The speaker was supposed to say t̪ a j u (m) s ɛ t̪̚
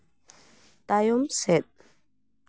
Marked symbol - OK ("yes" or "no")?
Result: yes